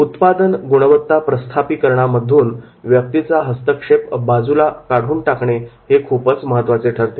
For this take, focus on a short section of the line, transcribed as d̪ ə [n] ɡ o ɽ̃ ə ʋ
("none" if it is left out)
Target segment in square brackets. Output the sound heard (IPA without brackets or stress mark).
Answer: n